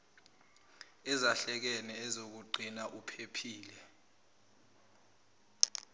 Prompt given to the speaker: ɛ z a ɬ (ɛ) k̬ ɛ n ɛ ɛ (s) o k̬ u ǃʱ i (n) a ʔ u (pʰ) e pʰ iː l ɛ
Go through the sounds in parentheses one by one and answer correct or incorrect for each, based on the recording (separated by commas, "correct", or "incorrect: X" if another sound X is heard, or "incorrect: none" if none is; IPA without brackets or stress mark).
correct, incorrect: z, correct, correct